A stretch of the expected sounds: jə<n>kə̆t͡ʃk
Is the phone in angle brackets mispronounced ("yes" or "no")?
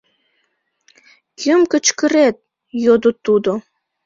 yes